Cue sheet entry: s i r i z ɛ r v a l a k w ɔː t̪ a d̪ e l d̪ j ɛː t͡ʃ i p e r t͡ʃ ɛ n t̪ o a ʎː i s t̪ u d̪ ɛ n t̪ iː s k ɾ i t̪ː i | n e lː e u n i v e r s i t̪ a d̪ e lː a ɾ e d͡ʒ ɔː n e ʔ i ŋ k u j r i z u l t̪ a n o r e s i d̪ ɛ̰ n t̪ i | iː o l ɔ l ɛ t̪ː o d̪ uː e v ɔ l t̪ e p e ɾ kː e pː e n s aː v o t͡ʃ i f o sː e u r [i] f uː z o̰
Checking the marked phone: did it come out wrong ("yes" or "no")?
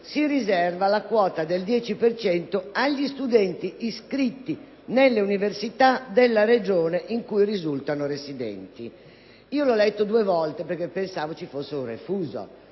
yes